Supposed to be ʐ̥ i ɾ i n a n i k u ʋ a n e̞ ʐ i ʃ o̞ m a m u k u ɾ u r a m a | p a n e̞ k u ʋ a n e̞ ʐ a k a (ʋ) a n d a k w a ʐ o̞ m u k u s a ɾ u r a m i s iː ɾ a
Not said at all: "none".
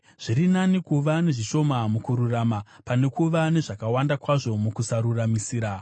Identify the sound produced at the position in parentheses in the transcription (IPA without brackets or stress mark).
w